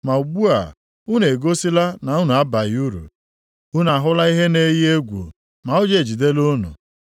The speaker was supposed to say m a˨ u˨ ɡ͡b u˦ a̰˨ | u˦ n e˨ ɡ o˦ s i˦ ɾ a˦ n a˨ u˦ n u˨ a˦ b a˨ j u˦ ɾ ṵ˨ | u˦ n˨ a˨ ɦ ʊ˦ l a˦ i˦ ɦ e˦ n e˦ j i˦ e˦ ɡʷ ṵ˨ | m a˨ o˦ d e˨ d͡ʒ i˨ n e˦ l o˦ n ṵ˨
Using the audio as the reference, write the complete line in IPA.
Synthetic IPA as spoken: m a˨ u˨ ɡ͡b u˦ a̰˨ | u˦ n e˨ ɡ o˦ s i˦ l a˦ n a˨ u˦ n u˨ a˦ b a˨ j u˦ ɾ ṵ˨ | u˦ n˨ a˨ ɦ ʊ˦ l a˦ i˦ ɦ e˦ n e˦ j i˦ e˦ ɡʷ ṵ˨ | m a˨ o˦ d͡ʒ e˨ d͡ʒ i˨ d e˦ l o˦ n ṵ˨